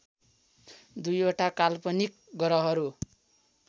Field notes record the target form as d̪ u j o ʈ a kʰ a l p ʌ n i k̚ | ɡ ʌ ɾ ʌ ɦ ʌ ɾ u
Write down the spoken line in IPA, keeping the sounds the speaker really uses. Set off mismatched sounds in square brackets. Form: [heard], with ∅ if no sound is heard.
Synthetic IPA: d̪ u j o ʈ a [k] a l p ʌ n i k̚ | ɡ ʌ ɾ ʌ ɦ ʌ ɾ u